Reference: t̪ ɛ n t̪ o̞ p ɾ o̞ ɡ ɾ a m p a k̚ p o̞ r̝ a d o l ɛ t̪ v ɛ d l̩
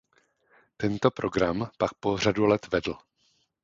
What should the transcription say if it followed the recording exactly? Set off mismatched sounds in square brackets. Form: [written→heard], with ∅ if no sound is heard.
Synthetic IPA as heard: t̪ ɛ n t̪ o̞ p ɾ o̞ ɡ ɾ a m p a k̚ p o̞ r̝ a d [o→u] l ɛ t̪ v ɛ d l̩